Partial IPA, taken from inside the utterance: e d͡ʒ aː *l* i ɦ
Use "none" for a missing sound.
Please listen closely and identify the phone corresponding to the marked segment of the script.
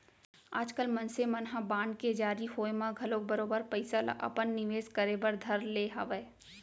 ɾ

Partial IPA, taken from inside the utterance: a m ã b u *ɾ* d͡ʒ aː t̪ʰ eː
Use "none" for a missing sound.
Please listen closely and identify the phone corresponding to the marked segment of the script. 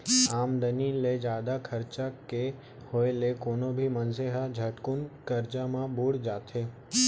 ɽ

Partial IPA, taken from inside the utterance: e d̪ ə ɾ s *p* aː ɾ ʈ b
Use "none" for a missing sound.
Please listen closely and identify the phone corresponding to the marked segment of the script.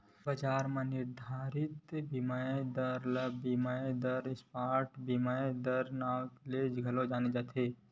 p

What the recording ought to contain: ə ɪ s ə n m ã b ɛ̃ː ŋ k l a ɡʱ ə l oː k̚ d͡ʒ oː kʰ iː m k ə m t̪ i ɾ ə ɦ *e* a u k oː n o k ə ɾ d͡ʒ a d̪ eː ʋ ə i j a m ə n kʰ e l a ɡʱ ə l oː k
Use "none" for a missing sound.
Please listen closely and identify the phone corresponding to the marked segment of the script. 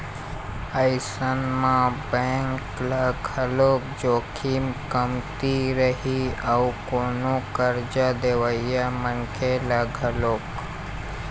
i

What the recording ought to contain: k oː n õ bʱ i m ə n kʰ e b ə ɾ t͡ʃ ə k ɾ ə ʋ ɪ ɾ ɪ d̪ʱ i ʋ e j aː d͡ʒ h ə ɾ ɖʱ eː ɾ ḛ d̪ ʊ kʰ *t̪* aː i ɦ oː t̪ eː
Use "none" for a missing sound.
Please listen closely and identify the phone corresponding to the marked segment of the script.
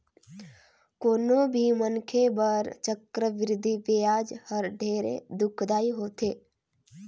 d̪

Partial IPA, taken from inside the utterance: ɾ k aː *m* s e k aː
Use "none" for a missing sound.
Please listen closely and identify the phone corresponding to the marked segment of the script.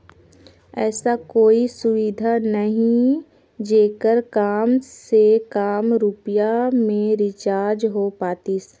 m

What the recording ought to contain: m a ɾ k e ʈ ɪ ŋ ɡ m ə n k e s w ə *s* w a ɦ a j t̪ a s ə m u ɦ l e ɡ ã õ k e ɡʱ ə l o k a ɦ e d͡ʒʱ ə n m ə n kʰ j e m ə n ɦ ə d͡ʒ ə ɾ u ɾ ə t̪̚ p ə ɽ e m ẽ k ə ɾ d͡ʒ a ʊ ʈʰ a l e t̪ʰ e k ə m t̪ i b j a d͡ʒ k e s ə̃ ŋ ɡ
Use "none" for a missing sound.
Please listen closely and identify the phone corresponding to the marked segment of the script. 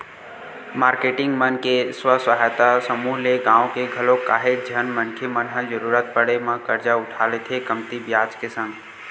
s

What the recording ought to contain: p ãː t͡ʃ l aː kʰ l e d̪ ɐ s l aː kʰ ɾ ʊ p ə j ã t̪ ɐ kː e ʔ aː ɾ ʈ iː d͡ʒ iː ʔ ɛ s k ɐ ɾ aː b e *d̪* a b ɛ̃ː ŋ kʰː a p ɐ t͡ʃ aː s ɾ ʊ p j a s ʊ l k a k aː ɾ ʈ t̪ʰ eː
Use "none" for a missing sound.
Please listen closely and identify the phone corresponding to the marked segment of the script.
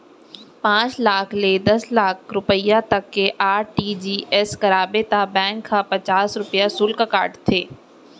t̪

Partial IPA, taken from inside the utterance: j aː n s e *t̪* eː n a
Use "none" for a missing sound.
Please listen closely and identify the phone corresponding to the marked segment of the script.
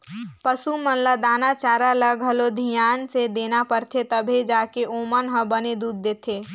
d̪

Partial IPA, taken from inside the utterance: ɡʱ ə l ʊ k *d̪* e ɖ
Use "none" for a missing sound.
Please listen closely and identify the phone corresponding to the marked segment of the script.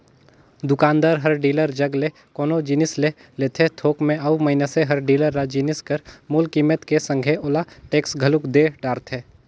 d̪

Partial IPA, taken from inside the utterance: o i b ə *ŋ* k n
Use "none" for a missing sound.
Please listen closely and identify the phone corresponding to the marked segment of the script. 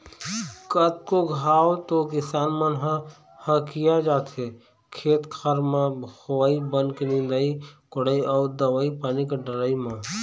n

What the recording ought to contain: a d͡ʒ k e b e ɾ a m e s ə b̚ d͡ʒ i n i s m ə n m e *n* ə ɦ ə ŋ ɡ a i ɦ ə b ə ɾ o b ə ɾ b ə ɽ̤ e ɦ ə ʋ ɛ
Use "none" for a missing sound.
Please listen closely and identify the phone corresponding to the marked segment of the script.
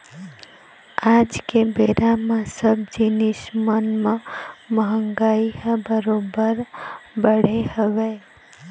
m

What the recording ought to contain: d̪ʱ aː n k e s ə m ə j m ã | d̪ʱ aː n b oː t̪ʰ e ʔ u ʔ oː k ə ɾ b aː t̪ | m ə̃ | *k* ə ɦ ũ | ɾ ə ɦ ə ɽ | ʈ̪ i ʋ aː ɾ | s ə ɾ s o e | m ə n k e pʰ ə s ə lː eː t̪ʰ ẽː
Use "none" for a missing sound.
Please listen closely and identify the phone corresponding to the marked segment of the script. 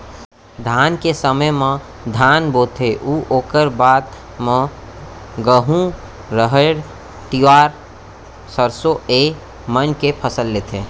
ɡ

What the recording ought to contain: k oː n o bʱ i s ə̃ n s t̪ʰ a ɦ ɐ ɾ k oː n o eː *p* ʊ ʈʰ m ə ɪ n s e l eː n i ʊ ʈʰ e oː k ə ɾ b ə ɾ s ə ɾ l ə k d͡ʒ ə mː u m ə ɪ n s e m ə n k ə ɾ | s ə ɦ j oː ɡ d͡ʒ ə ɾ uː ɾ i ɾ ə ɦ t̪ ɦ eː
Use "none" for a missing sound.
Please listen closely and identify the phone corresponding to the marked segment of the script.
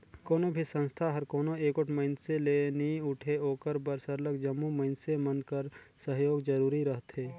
k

